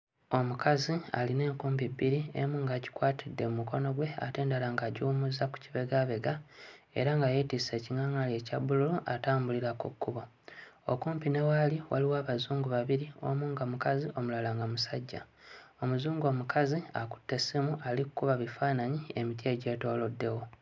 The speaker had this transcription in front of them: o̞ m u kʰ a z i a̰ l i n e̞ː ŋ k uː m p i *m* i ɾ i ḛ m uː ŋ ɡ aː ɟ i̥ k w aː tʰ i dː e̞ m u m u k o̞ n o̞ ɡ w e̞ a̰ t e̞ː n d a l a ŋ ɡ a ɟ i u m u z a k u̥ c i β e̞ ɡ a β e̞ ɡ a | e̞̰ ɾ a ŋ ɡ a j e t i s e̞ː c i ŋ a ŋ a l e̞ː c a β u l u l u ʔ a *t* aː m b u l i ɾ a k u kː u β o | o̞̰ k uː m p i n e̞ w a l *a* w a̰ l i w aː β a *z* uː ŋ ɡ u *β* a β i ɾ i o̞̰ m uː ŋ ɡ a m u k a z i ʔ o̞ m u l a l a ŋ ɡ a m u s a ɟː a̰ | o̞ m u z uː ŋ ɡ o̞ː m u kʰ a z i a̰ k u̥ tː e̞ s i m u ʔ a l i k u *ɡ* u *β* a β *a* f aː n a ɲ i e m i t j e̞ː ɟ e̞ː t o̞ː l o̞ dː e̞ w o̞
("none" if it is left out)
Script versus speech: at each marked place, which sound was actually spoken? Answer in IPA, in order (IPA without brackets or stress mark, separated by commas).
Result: b, t, i, z, β, k, β, i